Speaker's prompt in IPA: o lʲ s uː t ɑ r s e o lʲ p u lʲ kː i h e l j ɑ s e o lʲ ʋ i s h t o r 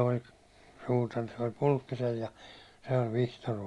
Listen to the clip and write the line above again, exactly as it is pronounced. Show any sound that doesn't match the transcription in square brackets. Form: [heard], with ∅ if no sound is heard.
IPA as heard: o lʲ s uː t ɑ r s e o lʲ p u lʲ kː i [s] e l j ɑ s e o lʲ ʋ i [∅] h t o r

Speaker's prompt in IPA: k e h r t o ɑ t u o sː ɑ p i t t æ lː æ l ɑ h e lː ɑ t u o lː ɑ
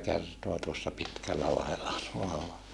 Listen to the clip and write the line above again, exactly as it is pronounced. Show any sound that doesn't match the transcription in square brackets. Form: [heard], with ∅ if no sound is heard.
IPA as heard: k e [∅] r t o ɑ t u o sː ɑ p i t [k] æ lː æ l ɑ h e lː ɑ t u o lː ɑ

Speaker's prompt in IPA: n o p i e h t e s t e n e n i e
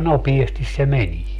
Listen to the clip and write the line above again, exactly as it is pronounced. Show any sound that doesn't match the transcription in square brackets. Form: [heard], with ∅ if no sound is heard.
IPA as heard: n o p i e [s] t [i] s [s] e [m] e n i e

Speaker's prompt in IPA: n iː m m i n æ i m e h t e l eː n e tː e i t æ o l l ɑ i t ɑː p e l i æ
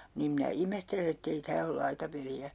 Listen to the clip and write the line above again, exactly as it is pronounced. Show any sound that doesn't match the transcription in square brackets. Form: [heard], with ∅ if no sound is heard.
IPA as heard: n iː m m i n æ i m e h t e l [e] n e tː e i t [æː] o l l ɑ i t [ɑ] p e l i æ

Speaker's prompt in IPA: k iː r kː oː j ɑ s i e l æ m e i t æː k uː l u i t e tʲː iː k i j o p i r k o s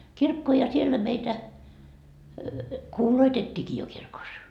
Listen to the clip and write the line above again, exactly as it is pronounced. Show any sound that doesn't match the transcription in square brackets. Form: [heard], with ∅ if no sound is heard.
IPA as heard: k [i] r kː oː j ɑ s i e [lː] æ m e i t [æ] k uː l [o] i t e tʲː iː k i j o [k] i r k o s

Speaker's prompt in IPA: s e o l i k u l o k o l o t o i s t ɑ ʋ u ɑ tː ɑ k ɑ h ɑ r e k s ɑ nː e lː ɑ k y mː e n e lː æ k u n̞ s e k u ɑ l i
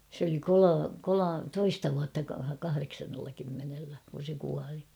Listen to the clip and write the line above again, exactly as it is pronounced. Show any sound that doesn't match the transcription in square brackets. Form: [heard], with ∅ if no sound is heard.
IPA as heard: s e o l i k [o] l o k o l o t o i s t ɑ ʋ u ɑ tː ɑ k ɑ h ɑ r e k s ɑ nː e lː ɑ k y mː e n e lː æ k u n̞ s e k u ɑ l i

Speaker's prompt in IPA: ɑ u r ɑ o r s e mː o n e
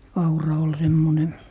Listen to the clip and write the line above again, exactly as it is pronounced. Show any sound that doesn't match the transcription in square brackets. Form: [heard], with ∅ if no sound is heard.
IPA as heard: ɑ u r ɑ o [l] s e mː o n e

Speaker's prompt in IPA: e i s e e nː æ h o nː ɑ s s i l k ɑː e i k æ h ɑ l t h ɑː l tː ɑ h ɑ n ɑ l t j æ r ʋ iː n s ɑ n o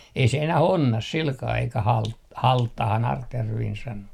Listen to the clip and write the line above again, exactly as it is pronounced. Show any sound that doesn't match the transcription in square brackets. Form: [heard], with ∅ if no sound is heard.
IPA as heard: e i s e e [n] æ h o nː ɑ s s i l k ɑː e i k æ h ɑ l t h [ɑ] l tː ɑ h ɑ n ɑ [r] t j æ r ʋ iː n s ɑ n o

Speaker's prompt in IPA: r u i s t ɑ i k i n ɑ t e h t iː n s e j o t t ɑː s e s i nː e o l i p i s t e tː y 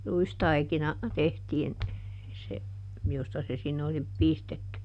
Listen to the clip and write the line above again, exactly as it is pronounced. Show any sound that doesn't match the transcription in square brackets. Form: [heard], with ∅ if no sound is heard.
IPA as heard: r u i s t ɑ i k i n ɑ t e h t iː n s e j o [s] t [ɑ] s e s i nː e o l i p i s t e tː y

